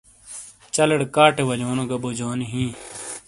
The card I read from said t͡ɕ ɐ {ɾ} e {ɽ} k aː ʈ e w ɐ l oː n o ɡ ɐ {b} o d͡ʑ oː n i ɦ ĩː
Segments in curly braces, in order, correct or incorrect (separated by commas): incorrect, correct, correct